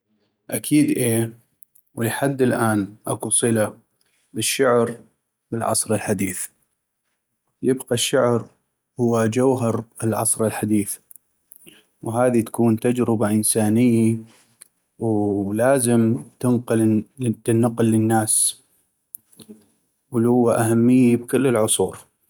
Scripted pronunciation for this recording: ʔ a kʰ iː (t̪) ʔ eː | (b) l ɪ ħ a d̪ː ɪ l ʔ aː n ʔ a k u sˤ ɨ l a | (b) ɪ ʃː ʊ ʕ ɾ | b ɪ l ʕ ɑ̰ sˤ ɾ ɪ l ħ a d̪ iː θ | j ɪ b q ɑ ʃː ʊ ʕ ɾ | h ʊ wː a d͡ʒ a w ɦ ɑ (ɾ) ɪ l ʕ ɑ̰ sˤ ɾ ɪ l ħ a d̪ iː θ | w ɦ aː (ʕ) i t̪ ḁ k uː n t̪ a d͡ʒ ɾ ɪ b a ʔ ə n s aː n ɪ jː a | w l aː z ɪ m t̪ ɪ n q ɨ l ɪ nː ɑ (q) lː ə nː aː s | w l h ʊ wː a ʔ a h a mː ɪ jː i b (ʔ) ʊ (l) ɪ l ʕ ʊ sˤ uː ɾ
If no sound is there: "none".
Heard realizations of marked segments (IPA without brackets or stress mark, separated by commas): d̪, w, b, ɾ, ð, q, k, lː